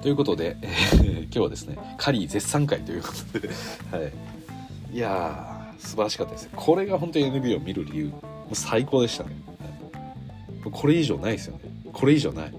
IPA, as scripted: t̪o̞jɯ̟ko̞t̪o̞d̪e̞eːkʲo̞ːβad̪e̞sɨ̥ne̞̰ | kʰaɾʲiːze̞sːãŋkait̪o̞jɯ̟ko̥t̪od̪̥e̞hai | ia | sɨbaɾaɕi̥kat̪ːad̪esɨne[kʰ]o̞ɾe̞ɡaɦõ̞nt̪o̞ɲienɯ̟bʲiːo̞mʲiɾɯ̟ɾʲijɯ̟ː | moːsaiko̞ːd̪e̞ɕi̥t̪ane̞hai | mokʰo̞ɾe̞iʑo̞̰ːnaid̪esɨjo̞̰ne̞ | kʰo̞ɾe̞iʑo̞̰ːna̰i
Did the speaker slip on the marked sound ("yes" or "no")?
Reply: no